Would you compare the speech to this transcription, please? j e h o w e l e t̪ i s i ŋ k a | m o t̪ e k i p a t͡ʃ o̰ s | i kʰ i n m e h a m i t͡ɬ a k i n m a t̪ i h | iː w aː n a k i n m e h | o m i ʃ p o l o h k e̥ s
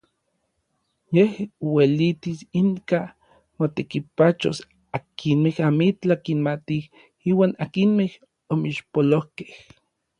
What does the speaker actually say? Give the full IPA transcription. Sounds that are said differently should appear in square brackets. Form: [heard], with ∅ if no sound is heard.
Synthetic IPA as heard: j e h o w e l [i] t̪ i s i ŋ k a | m o t̪ e k i p a t͡ʃ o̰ s | [a] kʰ i n m e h a m i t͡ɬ a k i n m a t̪ i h | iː w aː n a k i n m e h | o m i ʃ p o l o h k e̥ [h]